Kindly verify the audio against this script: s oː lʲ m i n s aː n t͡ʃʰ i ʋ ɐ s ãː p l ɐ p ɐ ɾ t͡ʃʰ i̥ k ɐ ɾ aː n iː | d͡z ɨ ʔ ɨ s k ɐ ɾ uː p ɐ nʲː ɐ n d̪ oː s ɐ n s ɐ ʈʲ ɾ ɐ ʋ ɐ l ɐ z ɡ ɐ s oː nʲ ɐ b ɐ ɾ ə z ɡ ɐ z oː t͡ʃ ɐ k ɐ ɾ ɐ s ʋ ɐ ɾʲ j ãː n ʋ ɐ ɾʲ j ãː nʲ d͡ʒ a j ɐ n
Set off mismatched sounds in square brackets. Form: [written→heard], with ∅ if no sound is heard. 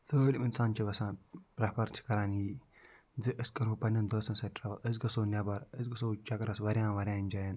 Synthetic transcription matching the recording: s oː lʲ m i n s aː n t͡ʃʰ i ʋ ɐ s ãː p [l→ɾ] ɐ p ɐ ɾ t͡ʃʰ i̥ k ɐ ɾ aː n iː | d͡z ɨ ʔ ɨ s k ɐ ɾ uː p ɐ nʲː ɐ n d̪ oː s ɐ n s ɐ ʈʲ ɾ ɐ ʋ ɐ l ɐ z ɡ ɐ s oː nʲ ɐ b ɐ ɾ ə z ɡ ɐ [z→s] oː t͡ʃ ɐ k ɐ ɾ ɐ s ʋ ɐ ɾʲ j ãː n ʋ ɐ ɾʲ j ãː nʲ d͡ʒ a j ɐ n